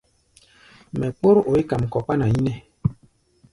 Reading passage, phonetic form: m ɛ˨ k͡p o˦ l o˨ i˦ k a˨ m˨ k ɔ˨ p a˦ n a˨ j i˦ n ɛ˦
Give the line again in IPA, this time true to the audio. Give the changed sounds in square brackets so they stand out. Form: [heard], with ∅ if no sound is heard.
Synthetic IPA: m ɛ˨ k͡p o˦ [ɾ] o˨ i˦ k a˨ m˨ k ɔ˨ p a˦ n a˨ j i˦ n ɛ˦

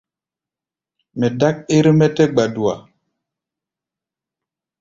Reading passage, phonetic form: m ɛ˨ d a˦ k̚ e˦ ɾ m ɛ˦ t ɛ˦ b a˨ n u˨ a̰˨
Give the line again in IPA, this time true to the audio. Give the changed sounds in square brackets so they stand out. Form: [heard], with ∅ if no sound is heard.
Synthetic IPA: m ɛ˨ d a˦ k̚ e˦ ɾ m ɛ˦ t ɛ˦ [ɡ͡b] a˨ [d] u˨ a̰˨

